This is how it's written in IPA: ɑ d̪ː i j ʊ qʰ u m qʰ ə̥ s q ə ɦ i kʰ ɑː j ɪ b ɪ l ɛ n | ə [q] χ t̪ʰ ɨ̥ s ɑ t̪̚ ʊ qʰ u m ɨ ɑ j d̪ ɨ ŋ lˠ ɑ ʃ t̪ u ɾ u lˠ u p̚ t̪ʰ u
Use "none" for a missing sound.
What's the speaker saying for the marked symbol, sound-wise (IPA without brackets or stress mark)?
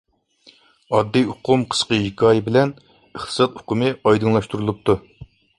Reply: none